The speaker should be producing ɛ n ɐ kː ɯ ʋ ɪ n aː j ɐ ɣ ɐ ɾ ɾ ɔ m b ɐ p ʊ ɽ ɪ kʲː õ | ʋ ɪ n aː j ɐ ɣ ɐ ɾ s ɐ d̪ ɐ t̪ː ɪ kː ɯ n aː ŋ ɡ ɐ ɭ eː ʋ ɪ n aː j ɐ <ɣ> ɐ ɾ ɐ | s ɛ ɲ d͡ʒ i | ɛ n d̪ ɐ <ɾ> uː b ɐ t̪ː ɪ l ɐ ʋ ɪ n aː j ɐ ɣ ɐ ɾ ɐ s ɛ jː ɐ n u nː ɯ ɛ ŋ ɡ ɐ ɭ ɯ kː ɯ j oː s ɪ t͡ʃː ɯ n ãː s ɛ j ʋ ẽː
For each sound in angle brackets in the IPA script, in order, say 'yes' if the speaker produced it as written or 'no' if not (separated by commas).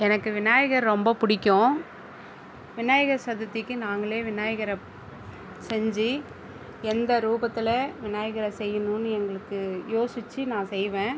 yes, yes